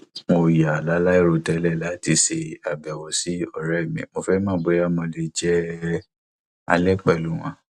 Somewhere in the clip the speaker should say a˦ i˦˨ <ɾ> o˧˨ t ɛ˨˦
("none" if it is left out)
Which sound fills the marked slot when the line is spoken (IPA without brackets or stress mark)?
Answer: ɾ